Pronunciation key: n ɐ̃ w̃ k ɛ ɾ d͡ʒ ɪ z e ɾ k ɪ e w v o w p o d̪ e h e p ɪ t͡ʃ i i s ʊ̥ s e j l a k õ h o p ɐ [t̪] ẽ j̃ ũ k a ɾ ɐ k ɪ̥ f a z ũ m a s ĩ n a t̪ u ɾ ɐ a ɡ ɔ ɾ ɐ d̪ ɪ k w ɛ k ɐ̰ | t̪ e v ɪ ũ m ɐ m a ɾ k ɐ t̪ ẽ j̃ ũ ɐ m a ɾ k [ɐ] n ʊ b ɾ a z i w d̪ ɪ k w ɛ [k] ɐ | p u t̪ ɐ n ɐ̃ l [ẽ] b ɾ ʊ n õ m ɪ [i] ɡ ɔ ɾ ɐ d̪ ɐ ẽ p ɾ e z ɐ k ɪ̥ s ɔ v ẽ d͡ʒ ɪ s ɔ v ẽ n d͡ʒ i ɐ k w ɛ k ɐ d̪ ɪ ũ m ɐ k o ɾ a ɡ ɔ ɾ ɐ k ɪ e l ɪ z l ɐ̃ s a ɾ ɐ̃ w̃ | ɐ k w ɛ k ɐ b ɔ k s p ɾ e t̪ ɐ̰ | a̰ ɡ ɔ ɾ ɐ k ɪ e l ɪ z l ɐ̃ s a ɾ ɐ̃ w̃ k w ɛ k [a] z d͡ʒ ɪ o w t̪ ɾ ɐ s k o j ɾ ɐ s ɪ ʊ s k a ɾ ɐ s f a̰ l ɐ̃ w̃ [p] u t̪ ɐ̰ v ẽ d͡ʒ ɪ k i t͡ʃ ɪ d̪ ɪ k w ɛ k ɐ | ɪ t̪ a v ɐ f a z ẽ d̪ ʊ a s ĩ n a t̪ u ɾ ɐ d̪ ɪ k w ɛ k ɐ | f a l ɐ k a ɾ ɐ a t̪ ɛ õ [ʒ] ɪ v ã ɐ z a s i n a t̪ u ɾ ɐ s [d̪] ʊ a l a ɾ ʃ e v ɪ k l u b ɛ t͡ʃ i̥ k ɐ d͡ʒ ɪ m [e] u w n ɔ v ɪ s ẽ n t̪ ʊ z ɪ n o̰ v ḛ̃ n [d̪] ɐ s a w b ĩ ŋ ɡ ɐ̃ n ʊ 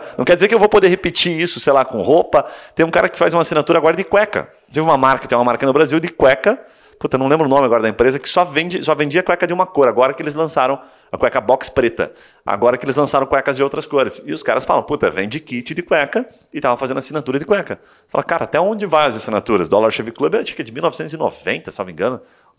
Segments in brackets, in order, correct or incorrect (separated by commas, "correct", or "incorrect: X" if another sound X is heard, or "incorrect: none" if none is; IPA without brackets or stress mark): correct, correct, correct, correct, incorrect: a, incorrect: ɐ, correct, incorrect: d͡ʒ, correct, incorrect: i, incorrect: t̪